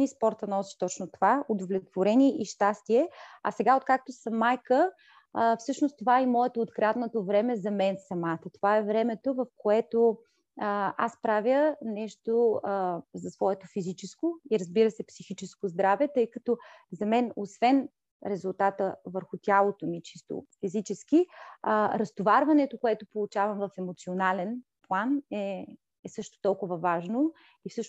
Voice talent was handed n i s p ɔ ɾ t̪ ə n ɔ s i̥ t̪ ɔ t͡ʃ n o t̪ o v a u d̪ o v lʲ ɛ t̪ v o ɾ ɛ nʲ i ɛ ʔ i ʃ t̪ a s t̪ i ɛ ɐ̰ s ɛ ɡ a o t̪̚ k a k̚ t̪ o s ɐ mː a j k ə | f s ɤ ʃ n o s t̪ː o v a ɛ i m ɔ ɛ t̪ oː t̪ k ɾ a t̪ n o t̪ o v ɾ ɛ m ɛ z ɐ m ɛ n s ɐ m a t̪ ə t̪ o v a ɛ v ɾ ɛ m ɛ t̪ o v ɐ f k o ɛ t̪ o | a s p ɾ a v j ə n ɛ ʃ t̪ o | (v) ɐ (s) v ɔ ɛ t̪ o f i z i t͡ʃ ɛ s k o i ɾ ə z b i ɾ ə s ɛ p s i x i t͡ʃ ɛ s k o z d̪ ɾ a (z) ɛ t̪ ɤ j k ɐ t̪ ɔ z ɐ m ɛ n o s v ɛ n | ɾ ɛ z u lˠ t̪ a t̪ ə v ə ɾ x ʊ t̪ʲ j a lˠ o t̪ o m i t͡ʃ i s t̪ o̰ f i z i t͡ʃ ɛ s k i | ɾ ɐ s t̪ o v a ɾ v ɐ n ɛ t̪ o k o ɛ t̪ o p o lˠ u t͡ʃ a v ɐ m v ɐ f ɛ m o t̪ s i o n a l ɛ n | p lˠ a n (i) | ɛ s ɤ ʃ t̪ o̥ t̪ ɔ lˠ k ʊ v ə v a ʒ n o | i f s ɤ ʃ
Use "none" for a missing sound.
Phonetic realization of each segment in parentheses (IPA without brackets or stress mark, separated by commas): z, s, v, ɛ